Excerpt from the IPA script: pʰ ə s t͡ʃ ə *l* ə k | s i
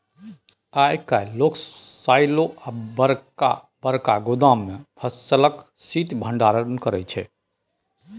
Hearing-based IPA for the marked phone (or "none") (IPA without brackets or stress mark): l